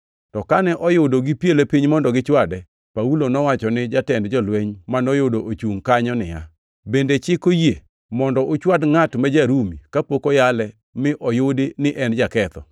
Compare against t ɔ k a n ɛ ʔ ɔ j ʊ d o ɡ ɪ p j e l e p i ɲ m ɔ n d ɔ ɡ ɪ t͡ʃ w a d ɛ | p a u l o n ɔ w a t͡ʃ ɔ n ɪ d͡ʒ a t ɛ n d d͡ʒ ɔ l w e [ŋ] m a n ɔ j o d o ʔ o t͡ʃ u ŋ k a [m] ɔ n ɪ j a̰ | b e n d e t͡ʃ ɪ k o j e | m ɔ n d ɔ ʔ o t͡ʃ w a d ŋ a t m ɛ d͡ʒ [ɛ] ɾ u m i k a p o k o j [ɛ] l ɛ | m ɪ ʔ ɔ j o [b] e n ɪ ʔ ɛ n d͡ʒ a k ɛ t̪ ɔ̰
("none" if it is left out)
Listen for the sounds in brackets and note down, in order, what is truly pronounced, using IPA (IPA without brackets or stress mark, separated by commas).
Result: ɲ, ɲ, a, a, d